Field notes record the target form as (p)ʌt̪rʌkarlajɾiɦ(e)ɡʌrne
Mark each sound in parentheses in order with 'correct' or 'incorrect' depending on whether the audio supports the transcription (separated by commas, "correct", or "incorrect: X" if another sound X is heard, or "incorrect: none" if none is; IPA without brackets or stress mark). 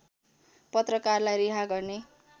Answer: correct, incorrect: a